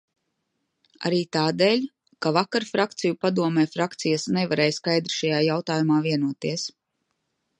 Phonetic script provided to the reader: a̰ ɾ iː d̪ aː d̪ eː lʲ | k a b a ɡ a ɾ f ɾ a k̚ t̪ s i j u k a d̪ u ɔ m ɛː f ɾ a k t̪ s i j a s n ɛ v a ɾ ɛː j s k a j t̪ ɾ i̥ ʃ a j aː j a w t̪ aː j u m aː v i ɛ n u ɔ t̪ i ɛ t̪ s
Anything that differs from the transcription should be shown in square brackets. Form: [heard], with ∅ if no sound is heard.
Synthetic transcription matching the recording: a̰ ɾ iː [t̪] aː d̪ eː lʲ | k a [v] a [k] a ɾ f ɾ a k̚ t̪ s i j u [p] a d̪ u ɔ m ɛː f ɾ a k t̪ s i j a s n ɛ v a ɾ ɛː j s k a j [d̪] ɾ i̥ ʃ a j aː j a w t̪ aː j u m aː v i ɛ n u ɔ t̪ i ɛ [∅] s